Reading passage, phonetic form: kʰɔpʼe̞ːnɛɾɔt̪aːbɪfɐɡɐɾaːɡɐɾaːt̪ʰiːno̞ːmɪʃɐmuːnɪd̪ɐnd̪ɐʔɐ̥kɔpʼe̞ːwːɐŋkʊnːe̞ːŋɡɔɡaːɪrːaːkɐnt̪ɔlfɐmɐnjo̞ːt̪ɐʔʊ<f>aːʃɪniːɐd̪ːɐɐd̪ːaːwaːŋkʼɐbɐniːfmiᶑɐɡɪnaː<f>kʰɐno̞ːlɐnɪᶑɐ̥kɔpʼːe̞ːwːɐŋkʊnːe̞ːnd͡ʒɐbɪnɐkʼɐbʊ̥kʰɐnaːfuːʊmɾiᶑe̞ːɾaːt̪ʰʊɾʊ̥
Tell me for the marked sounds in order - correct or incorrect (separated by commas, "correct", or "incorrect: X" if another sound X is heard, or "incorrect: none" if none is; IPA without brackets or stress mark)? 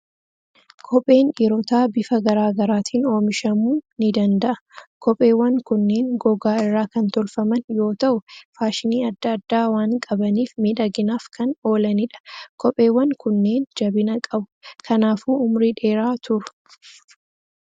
correct, correct